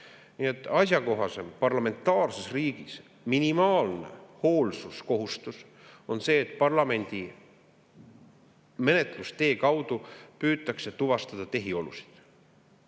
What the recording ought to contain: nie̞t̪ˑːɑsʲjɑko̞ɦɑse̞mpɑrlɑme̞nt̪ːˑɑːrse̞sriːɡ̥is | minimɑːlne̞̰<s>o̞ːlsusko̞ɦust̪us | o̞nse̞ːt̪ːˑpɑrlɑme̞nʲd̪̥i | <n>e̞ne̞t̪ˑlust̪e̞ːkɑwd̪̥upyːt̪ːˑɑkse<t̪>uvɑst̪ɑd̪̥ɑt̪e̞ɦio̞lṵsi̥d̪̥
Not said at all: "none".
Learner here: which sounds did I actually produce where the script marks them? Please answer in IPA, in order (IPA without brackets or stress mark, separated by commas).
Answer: h, m, t̪